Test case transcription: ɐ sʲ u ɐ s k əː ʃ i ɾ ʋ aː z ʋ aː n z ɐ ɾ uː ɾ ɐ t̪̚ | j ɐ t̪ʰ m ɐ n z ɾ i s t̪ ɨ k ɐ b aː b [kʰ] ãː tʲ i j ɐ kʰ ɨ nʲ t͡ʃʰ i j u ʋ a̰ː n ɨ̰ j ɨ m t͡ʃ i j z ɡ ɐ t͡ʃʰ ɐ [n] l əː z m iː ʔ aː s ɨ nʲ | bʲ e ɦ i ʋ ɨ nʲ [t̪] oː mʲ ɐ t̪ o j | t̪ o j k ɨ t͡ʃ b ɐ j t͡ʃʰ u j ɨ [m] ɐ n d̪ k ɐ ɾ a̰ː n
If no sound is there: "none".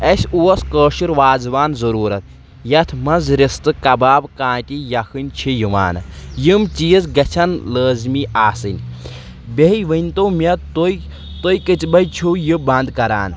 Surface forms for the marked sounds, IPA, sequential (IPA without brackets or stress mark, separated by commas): k, n, t̪, b